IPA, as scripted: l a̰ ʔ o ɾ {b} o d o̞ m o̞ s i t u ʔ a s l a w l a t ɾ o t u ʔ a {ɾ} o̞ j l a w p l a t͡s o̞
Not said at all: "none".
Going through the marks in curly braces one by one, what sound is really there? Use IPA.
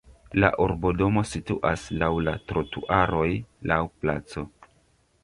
b, ɾ

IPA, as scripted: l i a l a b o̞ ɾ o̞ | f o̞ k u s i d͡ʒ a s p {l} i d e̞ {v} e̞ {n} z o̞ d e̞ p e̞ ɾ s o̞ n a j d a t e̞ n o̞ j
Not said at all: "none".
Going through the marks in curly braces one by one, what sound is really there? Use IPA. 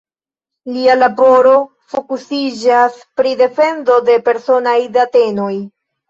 ɾ, f, n

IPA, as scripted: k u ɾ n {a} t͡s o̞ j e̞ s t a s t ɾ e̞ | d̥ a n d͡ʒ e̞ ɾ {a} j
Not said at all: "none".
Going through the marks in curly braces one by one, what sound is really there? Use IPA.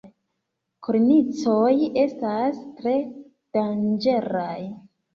i, a

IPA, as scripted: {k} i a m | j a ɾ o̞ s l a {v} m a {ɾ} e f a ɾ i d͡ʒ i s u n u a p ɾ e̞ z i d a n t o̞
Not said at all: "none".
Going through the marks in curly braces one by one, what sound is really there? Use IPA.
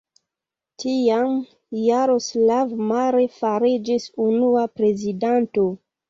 t, v, ɾ

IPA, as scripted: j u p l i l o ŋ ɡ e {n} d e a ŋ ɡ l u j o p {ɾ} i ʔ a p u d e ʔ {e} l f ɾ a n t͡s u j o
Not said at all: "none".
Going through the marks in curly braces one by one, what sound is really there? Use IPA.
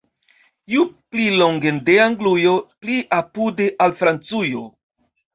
n, l, a

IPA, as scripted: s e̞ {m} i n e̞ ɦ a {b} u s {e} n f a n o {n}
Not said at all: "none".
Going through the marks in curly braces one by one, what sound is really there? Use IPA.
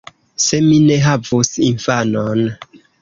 m, v, i, n

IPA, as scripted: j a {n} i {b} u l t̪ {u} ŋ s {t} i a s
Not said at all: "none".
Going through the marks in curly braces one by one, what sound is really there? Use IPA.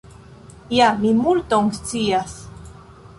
m, m, o, t͡s

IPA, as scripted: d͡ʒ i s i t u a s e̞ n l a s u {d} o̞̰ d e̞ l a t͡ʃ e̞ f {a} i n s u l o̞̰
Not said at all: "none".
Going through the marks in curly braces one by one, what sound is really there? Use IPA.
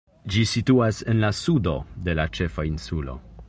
d, a

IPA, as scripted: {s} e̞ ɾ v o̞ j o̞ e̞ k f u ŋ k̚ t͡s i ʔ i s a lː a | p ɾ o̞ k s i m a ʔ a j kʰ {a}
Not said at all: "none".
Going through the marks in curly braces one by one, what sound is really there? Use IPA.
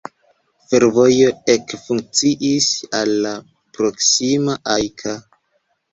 f, a

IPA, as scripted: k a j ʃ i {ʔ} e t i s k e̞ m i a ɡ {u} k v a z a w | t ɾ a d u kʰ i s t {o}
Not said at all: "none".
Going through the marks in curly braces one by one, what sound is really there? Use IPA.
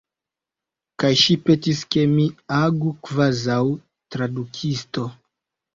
p, u, o

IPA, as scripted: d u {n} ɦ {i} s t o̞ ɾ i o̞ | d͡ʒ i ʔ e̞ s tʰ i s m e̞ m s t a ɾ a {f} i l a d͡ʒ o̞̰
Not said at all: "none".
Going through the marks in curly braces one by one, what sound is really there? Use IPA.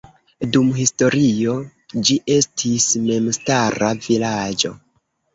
m, i, v

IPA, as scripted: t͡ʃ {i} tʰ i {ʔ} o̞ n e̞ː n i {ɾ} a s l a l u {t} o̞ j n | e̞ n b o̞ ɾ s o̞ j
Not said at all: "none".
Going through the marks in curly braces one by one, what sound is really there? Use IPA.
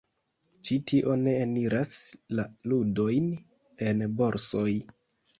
i, ʔ, ɾ, d

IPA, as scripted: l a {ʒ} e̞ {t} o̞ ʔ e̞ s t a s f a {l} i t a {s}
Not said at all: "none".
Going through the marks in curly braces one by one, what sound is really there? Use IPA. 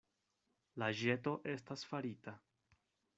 ʒ, t, ɾ, none

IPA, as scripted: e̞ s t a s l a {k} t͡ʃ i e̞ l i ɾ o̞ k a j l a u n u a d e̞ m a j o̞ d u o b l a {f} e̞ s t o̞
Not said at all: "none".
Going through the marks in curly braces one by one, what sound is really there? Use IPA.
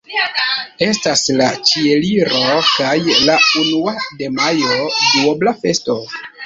none, f

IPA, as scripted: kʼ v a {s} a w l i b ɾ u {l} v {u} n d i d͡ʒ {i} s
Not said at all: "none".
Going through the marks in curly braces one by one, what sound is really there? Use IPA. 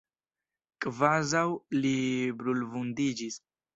z, l, u, i

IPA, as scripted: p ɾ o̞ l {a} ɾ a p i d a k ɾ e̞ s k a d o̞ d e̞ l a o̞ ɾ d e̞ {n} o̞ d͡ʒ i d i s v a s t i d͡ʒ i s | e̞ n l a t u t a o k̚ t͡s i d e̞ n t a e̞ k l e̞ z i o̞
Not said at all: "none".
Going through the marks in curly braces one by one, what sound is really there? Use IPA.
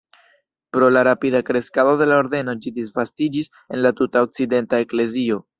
a, n

